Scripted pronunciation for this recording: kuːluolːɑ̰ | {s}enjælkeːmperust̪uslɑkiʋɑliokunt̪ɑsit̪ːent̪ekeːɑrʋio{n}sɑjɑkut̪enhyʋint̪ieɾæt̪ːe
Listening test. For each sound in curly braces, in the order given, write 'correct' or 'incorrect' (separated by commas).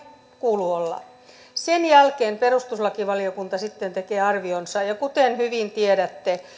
correct, correct